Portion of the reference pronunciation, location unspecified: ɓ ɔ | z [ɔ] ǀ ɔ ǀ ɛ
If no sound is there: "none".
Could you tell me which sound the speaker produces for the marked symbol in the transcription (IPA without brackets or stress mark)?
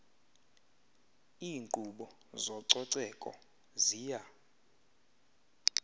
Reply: ɔ